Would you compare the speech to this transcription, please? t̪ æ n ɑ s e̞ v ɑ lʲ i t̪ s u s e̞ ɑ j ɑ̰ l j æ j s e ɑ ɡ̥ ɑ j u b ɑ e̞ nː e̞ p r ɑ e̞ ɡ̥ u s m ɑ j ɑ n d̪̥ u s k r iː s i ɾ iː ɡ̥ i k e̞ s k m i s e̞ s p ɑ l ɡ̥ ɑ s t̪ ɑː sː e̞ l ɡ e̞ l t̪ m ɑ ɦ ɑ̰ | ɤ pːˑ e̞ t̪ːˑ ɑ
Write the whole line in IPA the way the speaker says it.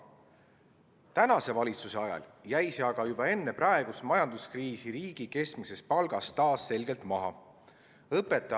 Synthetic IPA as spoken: t̪ æ n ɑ s e̞ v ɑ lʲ i t̪ s u s e̞ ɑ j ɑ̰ l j æ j s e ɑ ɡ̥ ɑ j u b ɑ e̞ nː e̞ p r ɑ e̞ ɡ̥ u s m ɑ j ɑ n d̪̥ u s k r iː s i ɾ iː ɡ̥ i k e̞ s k m i s e̞ s p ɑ l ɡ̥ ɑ s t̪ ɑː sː e̞ l ɡ e̞ l t̪ m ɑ ɦ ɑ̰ | ɤ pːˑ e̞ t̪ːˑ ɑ